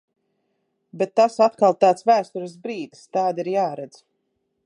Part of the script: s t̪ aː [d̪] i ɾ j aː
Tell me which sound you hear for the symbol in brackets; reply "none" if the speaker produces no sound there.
d̪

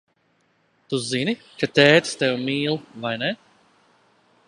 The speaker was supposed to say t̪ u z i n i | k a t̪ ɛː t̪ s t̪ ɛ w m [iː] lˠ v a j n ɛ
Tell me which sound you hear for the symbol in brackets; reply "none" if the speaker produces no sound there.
iː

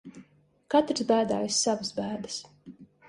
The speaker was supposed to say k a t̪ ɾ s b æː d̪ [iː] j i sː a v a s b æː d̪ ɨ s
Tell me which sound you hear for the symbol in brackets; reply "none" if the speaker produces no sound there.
aː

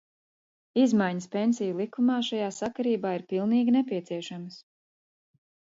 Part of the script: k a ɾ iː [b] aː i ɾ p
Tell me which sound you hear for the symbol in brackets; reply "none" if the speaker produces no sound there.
b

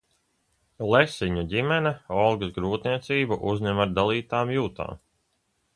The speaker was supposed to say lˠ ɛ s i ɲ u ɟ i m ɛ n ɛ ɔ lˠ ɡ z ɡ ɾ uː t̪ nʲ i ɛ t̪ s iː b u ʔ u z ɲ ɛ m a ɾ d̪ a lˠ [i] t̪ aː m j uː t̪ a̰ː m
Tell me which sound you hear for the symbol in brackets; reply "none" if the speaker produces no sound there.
iː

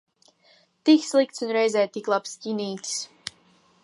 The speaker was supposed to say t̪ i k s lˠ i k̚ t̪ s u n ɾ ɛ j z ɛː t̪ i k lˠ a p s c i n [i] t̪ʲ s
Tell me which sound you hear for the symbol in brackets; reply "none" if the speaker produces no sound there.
iː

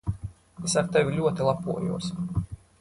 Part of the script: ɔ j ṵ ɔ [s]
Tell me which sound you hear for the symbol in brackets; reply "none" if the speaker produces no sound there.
s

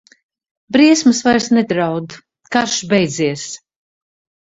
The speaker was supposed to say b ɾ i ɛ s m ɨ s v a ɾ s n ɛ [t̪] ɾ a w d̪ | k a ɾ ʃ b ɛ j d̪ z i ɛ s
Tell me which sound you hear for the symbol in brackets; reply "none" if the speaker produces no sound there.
d̪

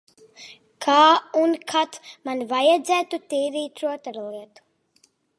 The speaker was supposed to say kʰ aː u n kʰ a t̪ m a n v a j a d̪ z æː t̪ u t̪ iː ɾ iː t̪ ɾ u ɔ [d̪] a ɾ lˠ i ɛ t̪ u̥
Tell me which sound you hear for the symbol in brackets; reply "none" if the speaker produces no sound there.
t̪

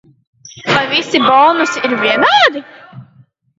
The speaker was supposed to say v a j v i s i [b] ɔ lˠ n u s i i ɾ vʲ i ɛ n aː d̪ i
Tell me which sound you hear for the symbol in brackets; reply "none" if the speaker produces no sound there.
b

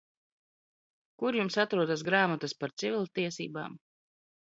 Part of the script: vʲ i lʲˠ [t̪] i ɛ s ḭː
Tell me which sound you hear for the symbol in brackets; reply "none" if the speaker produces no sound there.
t̪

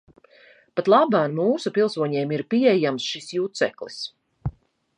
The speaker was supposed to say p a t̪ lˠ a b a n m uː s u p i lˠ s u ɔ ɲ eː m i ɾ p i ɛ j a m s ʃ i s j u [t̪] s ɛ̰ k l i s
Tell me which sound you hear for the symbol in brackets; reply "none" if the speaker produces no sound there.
t̪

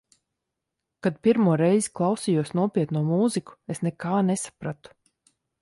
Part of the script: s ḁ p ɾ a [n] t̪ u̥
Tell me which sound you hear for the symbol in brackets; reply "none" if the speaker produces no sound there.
none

